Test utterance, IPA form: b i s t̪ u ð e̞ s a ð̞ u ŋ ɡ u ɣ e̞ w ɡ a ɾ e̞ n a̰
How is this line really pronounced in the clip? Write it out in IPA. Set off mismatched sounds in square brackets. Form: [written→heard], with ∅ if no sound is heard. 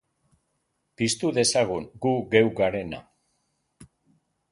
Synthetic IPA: [b→p] i s t̪ u ð e̞ s a [ð̞→ɣ̞] u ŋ ɡ u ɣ e̞ w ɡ a ɾ e̞ n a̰